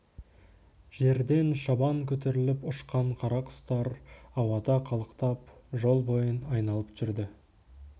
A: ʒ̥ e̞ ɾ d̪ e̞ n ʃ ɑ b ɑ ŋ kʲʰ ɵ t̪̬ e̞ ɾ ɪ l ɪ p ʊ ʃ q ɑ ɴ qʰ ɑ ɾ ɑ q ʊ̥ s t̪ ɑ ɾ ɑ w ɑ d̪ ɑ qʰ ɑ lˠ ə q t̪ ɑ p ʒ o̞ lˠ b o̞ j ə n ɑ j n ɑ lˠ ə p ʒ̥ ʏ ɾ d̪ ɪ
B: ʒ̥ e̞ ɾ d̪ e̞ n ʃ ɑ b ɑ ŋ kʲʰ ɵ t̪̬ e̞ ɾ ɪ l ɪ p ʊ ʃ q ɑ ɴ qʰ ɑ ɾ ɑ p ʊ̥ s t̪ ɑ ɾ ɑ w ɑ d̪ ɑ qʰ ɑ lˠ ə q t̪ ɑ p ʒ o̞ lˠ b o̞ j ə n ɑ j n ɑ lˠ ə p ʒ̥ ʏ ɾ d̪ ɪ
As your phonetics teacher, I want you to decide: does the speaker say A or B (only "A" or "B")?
A